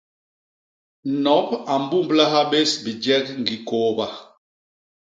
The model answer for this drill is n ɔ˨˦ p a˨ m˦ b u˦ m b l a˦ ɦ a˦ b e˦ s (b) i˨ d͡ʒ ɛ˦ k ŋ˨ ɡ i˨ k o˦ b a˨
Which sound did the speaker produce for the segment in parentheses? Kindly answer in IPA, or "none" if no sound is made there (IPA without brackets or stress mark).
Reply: b